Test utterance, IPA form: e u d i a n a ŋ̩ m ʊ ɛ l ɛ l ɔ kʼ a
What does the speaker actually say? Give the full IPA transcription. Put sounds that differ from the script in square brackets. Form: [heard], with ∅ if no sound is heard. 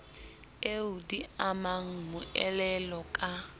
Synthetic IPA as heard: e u d i a [m] a ŋ̩ m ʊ ɛ l ɛ l ɔ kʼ a